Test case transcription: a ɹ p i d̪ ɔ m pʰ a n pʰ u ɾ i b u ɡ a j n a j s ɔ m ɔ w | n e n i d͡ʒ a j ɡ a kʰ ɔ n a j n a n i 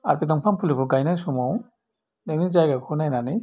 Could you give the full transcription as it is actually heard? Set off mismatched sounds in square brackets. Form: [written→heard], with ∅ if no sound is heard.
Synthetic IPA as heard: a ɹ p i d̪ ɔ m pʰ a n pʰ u [ɾ→l] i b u ɡ a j n a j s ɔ m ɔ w | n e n i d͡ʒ a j ɡ a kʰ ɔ n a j n a n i